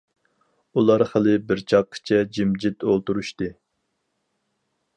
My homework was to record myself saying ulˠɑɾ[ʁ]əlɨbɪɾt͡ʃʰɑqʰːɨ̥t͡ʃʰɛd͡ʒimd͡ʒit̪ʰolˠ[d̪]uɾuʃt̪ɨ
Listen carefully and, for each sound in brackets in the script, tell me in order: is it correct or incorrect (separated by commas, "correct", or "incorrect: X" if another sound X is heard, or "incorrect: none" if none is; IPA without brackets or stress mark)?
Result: incorrect: χ, incorrect: t̪